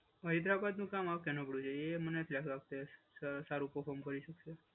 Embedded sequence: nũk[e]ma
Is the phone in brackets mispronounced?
yes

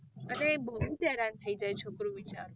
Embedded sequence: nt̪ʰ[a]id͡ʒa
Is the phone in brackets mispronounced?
yes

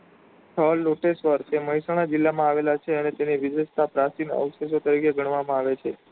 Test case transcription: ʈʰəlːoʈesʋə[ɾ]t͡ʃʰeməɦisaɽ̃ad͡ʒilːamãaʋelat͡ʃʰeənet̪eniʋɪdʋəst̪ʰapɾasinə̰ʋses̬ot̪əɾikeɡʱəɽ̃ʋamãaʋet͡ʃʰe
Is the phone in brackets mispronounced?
no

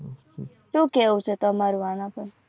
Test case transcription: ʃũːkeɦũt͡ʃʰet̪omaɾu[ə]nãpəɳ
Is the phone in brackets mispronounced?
yes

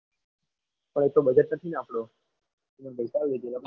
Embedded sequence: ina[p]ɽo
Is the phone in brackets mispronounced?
no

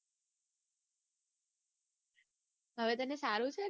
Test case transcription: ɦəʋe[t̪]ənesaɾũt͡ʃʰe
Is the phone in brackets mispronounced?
no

